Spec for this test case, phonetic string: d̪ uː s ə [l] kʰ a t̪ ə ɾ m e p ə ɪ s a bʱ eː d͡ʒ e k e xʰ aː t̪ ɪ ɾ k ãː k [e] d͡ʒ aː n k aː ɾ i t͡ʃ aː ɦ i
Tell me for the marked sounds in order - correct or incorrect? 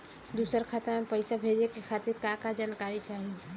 incorrect, incorrect

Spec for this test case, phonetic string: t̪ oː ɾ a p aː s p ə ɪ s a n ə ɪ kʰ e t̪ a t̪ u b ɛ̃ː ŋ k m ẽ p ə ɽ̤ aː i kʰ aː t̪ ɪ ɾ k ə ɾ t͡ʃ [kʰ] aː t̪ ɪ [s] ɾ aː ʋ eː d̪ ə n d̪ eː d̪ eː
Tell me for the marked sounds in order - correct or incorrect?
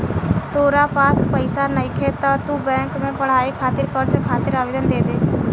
correct, incorrect

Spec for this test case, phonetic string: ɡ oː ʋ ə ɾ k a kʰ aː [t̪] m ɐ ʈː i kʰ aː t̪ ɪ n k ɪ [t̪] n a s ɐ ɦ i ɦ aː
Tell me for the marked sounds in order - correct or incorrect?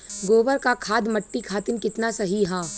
incorrect, correct

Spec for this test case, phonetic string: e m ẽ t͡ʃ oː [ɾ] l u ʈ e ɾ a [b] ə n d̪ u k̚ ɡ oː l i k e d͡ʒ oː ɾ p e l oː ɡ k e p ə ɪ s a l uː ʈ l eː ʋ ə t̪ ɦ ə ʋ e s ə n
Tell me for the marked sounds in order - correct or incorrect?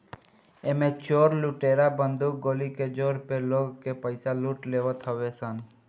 correct, correct

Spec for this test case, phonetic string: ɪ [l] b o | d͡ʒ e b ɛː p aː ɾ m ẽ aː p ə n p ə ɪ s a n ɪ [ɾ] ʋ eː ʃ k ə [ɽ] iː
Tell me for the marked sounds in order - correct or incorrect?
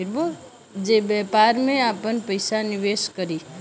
incorrect, incorrect, incorrect

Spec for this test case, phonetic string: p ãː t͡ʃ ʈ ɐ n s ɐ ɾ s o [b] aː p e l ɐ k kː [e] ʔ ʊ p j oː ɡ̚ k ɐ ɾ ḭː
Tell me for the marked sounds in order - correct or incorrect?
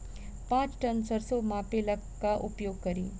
incorrect, incorrect

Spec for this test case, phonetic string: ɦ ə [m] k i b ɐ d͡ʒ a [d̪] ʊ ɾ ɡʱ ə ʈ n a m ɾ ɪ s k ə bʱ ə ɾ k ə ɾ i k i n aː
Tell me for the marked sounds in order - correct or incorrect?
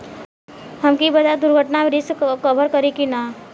correct, correct

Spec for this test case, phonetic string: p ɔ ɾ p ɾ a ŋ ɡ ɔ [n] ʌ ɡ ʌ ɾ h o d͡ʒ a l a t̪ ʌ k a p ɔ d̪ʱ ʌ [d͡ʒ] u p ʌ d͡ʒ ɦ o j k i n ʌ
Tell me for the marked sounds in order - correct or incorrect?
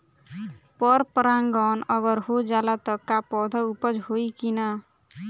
correct, incorrect

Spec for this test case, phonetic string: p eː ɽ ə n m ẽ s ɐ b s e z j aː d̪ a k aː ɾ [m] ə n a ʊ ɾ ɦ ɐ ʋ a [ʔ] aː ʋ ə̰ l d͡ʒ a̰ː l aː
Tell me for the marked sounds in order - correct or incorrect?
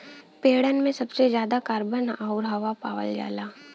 incorrect, incorrect

